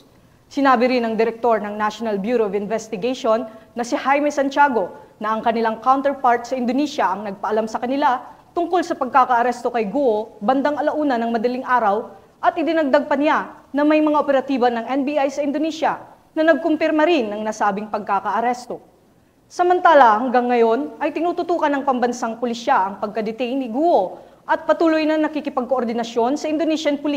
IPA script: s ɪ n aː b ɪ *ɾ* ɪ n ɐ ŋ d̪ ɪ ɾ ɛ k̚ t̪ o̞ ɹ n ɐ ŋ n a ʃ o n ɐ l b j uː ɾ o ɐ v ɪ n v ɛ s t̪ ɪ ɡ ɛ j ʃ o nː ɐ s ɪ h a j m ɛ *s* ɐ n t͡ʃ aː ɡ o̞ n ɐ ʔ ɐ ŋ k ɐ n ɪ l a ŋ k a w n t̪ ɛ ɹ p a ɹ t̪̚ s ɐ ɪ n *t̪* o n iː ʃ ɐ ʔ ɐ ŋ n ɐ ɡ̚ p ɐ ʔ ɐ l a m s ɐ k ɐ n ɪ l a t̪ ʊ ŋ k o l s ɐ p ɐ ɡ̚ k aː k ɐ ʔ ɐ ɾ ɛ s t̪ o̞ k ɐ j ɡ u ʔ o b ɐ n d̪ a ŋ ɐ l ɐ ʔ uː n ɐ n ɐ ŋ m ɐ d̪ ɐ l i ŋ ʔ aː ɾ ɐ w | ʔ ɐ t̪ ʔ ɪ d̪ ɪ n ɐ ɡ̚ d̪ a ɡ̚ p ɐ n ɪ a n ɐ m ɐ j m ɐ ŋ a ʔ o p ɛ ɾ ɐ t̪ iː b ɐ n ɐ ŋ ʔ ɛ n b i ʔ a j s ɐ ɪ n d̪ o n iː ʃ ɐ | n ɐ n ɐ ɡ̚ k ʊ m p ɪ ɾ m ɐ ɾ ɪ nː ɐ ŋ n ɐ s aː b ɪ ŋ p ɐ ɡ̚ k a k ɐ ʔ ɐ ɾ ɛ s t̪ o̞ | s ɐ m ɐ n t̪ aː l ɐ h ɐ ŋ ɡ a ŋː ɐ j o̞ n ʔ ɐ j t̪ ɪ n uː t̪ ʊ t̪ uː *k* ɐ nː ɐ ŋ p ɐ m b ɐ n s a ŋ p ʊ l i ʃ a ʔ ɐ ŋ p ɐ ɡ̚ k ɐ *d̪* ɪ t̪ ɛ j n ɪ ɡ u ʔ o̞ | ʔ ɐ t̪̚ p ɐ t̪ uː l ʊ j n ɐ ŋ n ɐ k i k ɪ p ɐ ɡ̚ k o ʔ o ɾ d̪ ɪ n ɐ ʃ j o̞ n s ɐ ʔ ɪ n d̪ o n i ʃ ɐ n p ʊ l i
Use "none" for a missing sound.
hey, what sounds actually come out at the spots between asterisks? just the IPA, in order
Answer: ɾ, s, d̪, k, d̪

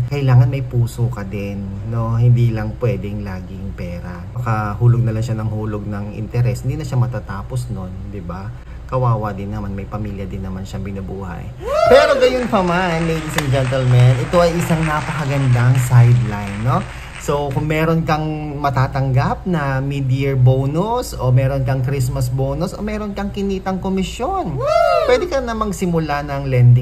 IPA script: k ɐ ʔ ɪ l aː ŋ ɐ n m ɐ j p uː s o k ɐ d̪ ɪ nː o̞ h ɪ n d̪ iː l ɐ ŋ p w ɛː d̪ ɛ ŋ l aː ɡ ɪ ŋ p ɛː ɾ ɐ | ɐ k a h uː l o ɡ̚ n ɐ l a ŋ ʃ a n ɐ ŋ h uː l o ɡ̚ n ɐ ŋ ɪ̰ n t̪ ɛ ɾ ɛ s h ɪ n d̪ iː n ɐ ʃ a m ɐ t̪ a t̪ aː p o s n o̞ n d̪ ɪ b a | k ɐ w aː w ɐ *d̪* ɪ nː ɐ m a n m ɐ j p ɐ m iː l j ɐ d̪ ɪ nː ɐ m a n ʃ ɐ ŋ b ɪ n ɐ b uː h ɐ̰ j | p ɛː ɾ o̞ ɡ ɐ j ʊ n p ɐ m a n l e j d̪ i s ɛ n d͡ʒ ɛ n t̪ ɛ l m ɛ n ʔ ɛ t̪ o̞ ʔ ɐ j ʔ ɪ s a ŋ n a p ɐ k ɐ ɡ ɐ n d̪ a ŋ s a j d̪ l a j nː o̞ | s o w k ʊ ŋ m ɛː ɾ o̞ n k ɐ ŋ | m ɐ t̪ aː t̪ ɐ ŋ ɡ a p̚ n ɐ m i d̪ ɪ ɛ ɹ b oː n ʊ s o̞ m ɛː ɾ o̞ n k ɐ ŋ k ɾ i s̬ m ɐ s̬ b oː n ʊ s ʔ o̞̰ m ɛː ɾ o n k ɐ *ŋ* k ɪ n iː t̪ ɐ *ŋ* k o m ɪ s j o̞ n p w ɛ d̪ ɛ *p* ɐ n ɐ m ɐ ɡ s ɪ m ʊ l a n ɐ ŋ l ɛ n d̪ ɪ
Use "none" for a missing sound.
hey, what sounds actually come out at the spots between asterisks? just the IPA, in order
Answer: d̪, ŋ, ŋ, k

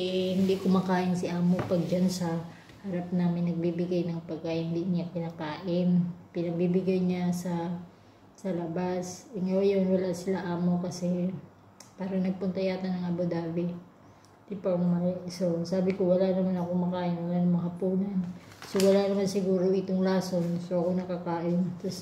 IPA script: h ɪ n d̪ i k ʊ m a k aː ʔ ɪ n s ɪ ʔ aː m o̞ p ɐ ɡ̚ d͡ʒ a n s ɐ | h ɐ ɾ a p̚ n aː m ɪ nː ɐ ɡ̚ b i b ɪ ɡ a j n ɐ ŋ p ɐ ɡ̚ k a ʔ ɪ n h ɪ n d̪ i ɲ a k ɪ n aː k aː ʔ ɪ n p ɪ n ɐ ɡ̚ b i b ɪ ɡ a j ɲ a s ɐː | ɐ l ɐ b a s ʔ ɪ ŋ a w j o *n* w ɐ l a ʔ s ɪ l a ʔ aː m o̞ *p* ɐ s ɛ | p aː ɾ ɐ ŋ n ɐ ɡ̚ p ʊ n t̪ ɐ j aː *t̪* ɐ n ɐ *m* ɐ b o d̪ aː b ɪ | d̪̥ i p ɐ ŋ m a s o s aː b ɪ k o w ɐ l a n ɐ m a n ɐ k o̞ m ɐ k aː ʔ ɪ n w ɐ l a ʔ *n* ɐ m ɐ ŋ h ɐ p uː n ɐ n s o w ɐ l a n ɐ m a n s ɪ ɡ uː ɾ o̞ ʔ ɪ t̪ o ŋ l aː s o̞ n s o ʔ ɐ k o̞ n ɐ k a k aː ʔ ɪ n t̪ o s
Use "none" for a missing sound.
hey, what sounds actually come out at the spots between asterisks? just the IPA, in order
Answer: n, k, t̪, ŋ, n

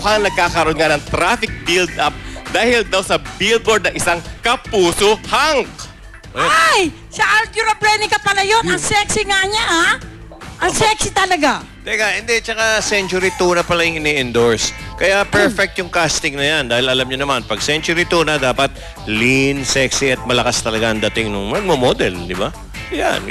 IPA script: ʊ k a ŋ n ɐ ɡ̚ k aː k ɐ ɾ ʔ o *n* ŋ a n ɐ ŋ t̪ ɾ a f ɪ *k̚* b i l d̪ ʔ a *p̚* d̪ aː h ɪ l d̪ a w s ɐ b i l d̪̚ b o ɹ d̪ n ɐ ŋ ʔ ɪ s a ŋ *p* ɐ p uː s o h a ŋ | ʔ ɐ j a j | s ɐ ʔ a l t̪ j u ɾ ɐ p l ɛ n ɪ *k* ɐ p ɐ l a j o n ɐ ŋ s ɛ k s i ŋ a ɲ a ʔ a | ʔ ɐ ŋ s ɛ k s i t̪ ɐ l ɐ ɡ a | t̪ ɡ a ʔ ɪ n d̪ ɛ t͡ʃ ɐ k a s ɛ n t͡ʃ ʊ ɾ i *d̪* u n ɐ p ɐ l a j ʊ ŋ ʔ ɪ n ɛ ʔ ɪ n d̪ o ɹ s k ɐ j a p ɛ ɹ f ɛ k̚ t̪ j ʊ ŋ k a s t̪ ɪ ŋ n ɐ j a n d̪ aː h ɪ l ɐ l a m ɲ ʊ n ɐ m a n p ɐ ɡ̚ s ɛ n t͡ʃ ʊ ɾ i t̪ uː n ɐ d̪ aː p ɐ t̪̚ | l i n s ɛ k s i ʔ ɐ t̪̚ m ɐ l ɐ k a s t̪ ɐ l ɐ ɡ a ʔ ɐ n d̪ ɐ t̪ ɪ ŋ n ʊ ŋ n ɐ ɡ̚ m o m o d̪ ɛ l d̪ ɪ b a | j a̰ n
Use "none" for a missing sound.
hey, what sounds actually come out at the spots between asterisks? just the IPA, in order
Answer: n, k̚, p̚, k, k, t̪

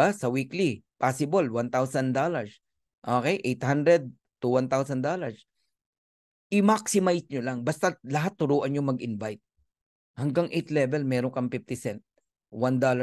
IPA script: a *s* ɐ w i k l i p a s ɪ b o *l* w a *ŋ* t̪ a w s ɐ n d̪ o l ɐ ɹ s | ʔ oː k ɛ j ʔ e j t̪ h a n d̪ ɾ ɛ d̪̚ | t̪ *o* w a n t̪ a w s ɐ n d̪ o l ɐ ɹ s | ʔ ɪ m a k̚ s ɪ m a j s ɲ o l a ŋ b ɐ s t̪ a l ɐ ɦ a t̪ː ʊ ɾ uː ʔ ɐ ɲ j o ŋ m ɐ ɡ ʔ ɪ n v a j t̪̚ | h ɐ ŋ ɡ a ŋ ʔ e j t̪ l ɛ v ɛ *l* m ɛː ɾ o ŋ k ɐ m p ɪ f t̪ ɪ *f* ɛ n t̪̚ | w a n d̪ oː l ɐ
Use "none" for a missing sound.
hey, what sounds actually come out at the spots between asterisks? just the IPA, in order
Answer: s, l, n, u, l, s

